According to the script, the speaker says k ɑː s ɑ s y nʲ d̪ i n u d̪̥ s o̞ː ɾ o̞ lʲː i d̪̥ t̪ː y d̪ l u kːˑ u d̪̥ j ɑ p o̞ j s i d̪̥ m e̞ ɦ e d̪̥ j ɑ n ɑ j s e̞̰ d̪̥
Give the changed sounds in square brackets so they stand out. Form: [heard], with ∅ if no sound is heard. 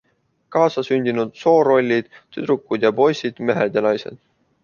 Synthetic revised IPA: k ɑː s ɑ s y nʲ d̪ i n u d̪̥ s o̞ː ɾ o̞ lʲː i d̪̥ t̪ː y d̪ [ɾ] u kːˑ u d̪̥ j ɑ p o̞ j s i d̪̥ m e̞ ɦ e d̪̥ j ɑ n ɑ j s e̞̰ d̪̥